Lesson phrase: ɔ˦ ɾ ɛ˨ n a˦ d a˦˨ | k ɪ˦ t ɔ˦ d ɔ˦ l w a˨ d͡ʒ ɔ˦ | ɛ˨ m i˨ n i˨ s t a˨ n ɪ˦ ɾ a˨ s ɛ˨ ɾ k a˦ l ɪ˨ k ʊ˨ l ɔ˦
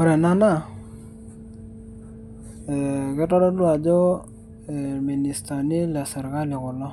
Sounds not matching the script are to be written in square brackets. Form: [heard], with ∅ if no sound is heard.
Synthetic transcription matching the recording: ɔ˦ ɾ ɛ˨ n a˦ [n] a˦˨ | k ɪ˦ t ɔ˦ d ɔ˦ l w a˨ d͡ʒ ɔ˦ | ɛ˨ m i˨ n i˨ s t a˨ n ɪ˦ [l] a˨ s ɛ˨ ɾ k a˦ l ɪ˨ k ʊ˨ l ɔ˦

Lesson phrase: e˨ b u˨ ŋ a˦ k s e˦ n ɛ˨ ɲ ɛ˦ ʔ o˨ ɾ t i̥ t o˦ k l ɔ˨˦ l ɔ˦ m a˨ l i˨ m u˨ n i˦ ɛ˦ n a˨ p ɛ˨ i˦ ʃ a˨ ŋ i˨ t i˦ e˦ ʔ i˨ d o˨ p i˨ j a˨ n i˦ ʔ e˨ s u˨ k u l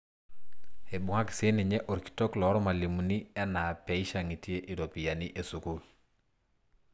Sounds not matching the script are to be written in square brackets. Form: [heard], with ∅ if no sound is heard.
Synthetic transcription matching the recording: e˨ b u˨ ŋ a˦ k s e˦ n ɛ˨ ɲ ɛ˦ ʔ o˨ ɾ [k] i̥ t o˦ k l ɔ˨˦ [ɾ] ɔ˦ m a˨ l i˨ m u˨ n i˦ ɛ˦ n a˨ p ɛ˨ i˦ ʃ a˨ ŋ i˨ t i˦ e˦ ʔ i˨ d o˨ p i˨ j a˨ n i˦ ʔ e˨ s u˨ k u l

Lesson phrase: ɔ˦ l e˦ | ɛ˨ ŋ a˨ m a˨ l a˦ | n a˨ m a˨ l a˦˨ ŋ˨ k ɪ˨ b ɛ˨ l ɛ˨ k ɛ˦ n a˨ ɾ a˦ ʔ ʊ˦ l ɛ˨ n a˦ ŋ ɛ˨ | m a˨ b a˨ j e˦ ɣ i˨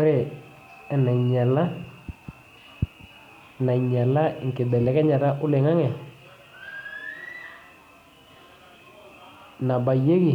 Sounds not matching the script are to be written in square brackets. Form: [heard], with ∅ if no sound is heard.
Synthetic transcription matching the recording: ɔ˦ [ɾ] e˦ | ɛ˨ [n] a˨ [ɲ] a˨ l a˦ | n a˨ [ɲ] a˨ l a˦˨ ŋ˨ k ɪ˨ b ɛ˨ l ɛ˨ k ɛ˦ [ɲ] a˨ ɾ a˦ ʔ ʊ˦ l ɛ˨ [ŋ] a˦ ŋ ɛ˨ | [n] a˨ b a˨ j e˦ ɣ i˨

